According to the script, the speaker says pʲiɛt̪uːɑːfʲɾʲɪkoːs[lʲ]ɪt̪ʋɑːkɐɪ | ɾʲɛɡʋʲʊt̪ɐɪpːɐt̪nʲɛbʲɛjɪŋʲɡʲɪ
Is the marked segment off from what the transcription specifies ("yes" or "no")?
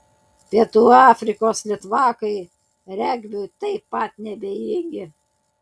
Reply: no